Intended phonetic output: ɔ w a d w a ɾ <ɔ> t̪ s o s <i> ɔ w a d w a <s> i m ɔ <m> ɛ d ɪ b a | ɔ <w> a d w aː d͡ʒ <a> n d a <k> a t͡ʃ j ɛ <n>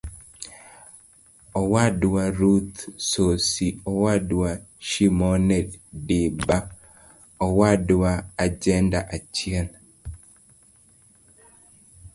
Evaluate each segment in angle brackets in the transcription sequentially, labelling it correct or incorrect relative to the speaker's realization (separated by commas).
incorrect, correct, incorrect, incorrect, correct, incorrect, incorrect, correct